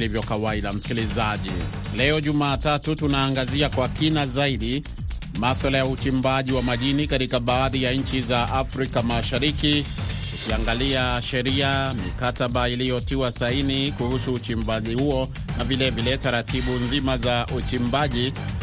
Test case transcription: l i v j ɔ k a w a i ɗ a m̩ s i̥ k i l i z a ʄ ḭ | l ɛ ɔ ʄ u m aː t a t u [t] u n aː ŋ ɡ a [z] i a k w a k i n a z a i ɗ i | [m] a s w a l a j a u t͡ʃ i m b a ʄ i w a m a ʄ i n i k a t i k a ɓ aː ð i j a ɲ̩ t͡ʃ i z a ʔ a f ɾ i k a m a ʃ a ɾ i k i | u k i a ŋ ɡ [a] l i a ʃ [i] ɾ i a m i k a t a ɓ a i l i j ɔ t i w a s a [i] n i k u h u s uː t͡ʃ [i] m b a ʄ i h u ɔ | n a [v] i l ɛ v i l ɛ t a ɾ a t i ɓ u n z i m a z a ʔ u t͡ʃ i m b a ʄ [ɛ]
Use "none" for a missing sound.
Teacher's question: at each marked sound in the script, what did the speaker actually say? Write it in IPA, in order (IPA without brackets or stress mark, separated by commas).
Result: t, z, m, a, ɛ, i, i, v, i